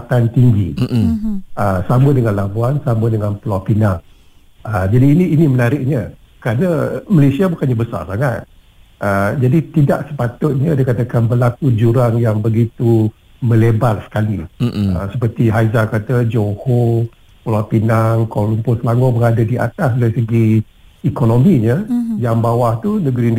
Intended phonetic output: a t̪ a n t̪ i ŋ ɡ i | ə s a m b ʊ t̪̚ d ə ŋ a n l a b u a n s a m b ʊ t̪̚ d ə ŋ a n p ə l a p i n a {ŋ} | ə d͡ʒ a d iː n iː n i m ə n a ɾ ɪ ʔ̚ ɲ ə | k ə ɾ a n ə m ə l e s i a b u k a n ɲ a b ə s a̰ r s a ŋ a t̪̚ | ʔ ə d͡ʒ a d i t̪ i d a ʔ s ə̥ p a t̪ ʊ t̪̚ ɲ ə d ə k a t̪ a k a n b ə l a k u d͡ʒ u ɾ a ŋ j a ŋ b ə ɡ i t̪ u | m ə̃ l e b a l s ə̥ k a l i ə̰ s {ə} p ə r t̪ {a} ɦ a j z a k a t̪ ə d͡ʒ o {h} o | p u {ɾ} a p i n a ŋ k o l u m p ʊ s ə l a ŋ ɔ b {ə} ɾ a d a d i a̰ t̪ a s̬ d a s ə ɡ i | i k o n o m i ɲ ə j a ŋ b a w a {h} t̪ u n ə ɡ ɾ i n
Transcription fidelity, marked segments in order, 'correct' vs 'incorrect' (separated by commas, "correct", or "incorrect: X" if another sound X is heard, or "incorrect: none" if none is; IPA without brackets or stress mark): correct, correct, incorrect: i, correct, incorrect: l, correct, correct